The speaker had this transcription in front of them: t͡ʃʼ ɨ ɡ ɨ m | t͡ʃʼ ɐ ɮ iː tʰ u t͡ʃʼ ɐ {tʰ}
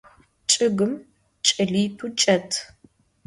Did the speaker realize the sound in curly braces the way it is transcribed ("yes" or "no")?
yes